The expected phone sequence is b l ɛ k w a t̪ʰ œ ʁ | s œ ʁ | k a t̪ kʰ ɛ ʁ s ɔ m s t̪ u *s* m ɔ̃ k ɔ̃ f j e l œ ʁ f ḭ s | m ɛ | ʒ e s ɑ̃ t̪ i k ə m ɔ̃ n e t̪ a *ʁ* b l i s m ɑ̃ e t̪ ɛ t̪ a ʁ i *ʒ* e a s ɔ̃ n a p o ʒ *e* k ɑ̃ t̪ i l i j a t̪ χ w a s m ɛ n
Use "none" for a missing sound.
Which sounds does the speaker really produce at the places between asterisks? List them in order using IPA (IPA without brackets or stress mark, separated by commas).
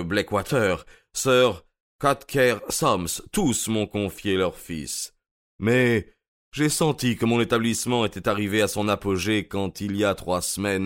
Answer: s, none, v, e